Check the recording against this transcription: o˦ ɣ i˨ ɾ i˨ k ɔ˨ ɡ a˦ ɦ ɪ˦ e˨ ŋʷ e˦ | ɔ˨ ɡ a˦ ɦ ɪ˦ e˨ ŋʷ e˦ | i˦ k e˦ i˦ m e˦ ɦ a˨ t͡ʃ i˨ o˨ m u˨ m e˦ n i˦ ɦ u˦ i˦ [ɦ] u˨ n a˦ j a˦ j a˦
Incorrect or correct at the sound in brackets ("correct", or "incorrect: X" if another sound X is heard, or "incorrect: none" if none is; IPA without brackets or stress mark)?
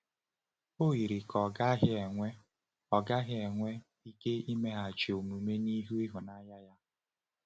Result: correct